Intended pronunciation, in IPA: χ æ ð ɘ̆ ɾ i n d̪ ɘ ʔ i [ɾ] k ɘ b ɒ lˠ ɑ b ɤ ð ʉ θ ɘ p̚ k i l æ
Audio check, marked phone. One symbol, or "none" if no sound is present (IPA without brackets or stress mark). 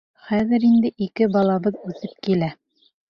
none